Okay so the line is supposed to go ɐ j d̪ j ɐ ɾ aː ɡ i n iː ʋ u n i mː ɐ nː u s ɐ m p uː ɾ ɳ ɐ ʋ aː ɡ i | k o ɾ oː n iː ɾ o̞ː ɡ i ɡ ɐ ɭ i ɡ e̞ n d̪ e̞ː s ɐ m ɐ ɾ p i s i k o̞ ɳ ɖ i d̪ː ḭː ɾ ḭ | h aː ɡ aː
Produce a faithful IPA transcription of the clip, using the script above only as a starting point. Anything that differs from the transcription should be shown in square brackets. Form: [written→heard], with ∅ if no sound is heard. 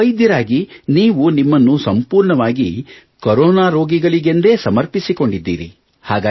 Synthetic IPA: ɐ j d̪ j ɐ ɾ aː ɡ i n iː ʋ u n i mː ɐ nː u s ɐ m p uː ɾ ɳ ɐ ʋ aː ɡ i | k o ɾ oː n [iː→aː] ɾ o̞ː ɡ i ɡ ɐ ɭ i ɡ e̞ n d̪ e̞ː s ɐ m ɐ ɾ p i s i k o̞ ɳ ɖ i d̪ː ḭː ɾ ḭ | h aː ɡ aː